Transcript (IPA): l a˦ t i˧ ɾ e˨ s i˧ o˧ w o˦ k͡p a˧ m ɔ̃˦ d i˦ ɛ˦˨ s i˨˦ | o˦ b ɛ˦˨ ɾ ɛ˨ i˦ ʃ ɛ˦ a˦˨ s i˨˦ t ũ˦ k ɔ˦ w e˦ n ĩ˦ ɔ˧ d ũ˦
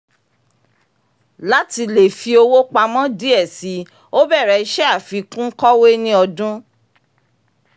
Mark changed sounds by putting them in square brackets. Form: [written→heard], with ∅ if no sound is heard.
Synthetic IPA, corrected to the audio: l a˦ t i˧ [ɾ→l] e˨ [s→f] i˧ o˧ w o˦ k͡p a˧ m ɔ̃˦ d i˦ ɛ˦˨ s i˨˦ | o˦ b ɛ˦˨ ɾ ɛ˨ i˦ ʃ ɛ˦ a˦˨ [s→f] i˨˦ [t→k] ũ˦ k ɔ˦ w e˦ n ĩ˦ ɔ˧ d ũ˦